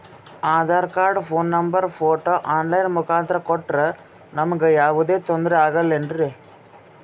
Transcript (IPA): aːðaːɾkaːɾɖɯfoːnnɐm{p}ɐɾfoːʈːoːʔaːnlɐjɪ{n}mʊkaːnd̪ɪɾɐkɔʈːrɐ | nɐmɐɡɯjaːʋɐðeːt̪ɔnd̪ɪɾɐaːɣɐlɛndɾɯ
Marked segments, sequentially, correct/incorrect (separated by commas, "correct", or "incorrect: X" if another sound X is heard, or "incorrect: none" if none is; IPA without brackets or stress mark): incorrect: b, correct